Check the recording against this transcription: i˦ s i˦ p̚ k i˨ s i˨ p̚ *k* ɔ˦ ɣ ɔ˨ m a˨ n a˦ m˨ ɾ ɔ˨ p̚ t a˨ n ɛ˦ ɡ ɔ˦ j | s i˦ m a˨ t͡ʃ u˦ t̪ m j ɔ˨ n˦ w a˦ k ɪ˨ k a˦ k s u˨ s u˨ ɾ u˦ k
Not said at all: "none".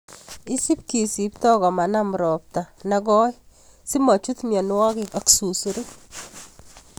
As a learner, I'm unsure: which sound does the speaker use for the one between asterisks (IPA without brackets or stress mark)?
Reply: t